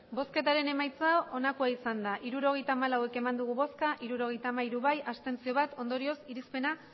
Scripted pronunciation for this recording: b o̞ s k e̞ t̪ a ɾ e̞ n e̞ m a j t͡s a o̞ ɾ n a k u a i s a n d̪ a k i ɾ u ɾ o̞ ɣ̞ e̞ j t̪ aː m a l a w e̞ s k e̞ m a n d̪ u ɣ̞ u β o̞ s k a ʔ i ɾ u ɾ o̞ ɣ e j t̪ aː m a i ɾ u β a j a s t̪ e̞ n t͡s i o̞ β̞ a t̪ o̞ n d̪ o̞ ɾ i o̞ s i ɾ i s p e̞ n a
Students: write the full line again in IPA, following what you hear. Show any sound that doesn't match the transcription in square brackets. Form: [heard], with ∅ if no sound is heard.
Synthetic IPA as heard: b o̞ s k e̞ t̪ a ɾ e̞ n e̞ m a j t͡s a o̞ [∅] n a k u a i s a n d̪ a [ʔ] i ɾ u ɾ o̞ ɣ̞ e̞ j t̪ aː m a l a w e̞ [∅] k e̞ m a n d̪ u ɣ̞ u β o̞ s k a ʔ i ɾ u ɾ o̞ ɣ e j t̪ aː m a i ɾ u β a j a s t̪ e̞ n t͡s i o̞ β̞ a t̪ o̞ n d̪ o̞ ɾ i o̞ s i ɾ i s p e̞ n a